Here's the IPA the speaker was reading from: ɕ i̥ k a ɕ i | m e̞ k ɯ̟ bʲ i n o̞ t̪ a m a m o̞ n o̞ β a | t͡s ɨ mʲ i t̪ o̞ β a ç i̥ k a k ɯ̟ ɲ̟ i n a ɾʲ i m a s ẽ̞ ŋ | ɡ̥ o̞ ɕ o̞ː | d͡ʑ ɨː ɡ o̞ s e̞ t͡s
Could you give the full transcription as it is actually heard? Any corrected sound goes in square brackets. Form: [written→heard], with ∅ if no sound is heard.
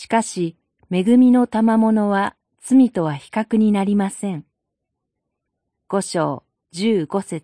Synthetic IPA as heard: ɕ i̥ k a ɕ i | m e̞ [k→ɡ] ɯ̟ [bʲ→mʲ] i n o̞ t̪ a m a m o̞ n o̞ β a | t͡s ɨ mʲ i t̪ o̞ β a ç i̥ k a k ɯ̟ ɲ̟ i n a ɾʲ i m a s ẽ̞ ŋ | ɡ̥ o̞ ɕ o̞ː | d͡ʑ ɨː ɡ o̞ s e̞ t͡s